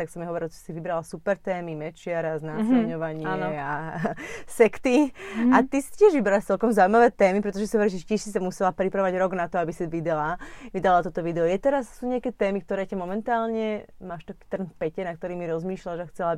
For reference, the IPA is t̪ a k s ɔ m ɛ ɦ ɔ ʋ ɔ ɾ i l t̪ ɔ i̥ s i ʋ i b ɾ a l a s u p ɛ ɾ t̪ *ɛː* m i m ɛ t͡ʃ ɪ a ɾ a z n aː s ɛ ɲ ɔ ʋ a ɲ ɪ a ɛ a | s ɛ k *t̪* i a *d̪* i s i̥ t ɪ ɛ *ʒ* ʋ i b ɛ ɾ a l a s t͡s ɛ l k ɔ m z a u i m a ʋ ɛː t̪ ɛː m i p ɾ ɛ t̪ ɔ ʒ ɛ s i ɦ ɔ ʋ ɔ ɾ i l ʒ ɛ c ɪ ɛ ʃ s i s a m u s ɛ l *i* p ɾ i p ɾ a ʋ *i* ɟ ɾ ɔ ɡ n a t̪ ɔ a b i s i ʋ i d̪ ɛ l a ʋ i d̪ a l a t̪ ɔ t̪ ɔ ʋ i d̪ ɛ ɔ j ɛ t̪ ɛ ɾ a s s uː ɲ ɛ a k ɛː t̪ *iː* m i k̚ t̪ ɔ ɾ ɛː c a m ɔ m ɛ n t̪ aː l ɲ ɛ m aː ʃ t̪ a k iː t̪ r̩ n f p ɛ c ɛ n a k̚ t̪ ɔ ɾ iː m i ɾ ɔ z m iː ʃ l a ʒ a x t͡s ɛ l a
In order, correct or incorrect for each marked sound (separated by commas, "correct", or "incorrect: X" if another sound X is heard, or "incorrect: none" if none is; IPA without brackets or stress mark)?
correct, correct, incorrect: t̪, correct, incorrect: a, incorrect: a, incorrect: ɛː